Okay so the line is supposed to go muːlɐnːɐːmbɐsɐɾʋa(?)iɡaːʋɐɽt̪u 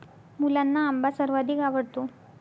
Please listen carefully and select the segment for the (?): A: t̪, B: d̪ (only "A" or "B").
B